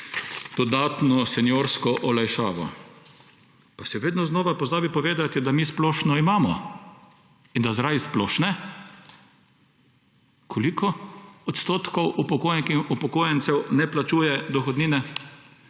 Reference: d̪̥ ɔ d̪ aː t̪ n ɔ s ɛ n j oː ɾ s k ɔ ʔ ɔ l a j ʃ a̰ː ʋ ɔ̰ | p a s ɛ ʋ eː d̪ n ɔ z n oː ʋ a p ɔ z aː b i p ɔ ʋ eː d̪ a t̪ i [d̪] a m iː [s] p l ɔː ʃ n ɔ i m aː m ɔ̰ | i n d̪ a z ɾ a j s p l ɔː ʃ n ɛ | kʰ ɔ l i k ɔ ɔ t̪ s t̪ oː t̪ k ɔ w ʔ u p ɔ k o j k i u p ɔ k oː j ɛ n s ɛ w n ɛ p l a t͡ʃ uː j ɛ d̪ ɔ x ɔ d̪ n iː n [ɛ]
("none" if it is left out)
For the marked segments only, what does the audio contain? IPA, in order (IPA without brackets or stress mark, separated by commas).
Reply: d̪, s, ɛ